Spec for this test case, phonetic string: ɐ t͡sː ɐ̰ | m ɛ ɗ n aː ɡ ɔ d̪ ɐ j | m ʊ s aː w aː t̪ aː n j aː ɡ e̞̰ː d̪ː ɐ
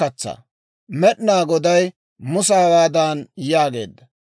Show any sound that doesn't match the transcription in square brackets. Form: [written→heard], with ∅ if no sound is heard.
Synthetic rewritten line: ɐ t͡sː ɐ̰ | m ɛ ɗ n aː ɡ ɔ d̪ ɐ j | m ʊ s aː w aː [t̪→d̪] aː n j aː ɡ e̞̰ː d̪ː ɐ